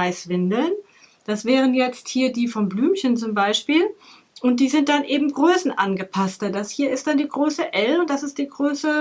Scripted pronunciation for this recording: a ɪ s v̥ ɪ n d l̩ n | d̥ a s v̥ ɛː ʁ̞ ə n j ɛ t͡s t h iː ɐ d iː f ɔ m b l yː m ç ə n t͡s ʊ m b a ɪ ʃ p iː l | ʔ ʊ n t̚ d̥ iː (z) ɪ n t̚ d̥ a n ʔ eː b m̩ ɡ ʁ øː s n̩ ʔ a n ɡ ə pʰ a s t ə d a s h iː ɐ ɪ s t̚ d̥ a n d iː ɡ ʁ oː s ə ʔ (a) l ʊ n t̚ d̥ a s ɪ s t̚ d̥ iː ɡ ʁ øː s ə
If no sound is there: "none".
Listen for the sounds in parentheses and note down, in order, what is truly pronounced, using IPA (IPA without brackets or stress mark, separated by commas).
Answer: z, ɛ